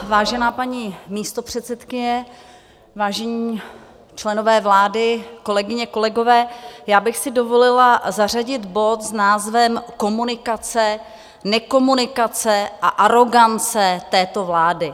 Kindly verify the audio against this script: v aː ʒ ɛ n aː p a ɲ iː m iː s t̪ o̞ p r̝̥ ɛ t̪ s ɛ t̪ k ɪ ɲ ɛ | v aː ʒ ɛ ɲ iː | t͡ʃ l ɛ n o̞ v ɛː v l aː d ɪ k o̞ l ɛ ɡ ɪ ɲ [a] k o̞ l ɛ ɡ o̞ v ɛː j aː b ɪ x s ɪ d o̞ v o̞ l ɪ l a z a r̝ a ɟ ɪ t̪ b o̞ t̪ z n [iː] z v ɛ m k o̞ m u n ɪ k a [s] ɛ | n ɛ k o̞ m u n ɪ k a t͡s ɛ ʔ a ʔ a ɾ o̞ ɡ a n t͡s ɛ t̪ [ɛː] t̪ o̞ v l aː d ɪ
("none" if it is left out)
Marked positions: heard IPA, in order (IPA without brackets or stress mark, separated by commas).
ɛ, aː, t͡s, ɛː